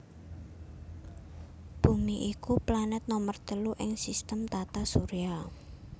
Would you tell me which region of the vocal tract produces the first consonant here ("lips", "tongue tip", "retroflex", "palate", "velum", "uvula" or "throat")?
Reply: lips